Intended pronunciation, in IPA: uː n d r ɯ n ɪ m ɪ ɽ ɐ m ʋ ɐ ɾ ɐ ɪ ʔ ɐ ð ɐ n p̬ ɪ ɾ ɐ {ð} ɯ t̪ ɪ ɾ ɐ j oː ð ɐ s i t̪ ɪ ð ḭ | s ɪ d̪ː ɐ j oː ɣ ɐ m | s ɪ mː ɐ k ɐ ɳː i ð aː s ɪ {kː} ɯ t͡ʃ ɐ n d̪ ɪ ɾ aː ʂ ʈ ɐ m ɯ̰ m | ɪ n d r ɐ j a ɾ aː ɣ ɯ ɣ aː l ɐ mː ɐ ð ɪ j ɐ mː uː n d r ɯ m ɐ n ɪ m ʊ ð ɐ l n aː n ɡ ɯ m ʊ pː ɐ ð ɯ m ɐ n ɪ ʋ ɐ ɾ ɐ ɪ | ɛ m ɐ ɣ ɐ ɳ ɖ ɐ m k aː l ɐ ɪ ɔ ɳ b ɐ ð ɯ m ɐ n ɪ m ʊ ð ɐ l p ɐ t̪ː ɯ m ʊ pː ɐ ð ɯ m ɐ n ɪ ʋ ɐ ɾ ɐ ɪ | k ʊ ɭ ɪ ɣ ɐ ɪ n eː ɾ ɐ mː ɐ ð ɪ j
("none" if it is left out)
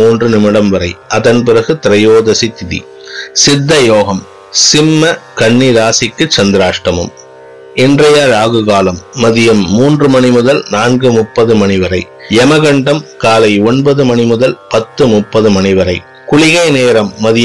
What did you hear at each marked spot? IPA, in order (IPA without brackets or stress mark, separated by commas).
ɣ, kː